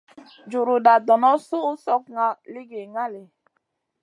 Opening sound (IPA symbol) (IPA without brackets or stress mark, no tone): d͡ʒ